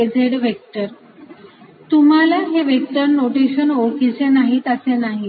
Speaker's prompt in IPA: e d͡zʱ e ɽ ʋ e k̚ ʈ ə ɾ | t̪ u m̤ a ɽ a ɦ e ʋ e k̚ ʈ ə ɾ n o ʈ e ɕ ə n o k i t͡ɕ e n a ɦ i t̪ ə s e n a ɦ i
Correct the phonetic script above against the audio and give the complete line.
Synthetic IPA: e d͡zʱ e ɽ ʋ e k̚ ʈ ə ɾ | t̪ u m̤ a l a ɦ e ʋ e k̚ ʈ ə ɾ n o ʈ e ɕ ə n o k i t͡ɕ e n a ɦ i t̪ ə s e n a ɦ i

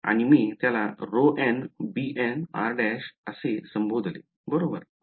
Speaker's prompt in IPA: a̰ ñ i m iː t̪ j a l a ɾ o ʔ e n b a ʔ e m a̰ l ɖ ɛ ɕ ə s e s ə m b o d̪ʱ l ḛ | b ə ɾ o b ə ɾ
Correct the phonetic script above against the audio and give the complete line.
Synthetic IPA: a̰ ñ i m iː t̪ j a l a ɾ o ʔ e n b i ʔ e n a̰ ɾ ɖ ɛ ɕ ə s e s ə m b o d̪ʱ l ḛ | b ə ɾ o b ə ɾ

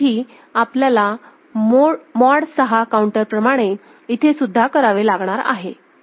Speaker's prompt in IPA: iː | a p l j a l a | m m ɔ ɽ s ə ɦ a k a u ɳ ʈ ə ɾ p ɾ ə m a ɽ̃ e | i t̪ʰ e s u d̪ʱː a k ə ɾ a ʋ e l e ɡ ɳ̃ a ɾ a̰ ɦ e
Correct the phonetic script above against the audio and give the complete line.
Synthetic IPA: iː | a p l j a l a | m m ɔ ɽ s ə ɦ a k a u ɳ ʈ ə ɾ p ɾ ə m a ɽ̃ e | i t̪ʰ e s u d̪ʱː a k ə ɾ a ʋ e l a ɡ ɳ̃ a ɾ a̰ ɦ e

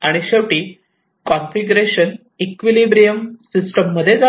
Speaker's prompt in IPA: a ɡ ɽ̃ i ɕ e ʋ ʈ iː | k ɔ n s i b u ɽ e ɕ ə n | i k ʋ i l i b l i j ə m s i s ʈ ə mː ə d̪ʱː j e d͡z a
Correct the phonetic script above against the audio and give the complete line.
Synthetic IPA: a ɽ̃ i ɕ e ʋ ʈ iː | k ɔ n f i ɡ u ɾ e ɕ ə n | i k ʋ i l i b ɾ i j ə m s i s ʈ ə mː ə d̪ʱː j e d͡z a

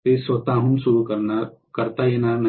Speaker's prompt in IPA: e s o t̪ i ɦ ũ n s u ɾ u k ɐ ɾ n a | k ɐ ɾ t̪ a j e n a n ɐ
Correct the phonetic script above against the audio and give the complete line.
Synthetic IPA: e s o t̪ a ɦ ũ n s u ɾ u k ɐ ɾ n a | k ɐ ɾ t̪ a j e n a n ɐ

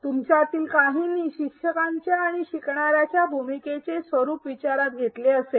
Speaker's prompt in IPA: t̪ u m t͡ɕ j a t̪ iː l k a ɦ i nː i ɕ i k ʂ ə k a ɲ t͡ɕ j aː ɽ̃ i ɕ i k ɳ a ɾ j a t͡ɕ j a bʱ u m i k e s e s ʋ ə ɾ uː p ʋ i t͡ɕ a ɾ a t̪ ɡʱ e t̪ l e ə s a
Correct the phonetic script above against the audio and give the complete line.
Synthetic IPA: t̪ u m t͡ɕ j a t̪ iː l k a ɦ i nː i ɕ i k ʂ ə k a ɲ t͡ɕ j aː ɽ̃ i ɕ i k ɳ a ɾ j a t͡ɕ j a bʱ u m i k e t͡s e s ʋ ə ɾ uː p ʋ i t͡ɕ a ɾ a t̪ ɡʱ e t̪ l e ə s e

